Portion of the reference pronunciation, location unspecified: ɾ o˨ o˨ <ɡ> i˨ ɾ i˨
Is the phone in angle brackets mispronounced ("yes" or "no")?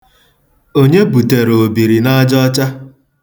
yes